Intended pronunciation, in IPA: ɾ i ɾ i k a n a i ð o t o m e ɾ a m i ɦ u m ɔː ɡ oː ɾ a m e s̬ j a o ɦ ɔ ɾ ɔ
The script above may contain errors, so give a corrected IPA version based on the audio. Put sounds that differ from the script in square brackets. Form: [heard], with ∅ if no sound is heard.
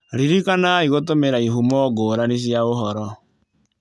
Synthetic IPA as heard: ɾ i ɾ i k a n a i [ɣ] o t o m e ɾ a [∅] i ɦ u m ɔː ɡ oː ɾ a [n] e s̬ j a o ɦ ɔ ɾ ɔ